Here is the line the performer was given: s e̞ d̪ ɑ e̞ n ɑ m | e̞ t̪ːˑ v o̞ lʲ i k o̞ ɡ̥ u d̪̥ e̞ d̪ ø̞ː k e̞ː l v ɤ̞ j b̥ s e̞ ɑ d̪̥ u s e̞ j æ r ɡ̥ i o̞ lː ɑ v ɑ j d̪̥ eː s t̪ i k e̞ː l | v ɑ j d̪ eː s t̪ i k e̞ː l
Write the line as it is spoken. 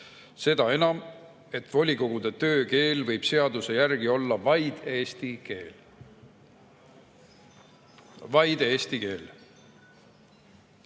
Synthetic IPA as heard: s e̞ d̪ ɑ e̞ n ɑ m | e̞ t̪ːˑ v o̞ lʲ i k o̞ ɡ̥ u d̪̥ e̞ t̪ ø̞ː k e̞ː l v ɤ̞ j b̥ s e̞ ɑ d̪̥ u s e̞ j æ r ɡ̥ i o̞ lː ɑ v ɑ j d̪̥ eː s t̪ i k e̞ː l | v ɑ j d̪ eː s t̪ i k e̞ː l